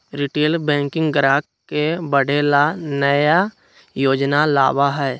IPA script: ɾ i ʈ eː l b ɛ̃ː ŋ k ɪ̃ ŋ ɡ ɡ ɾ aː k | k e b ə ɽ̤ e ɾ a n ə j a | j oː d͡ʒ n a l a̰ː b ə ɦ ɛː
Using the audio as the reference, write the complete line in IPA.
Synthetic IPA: ɾ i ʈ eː l b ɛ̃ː ŋ k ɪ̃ ŋ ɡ ɡ ɾ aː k | k e b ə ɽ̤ e l a n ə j a | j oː d͡ʒ n a l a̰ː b a ɦ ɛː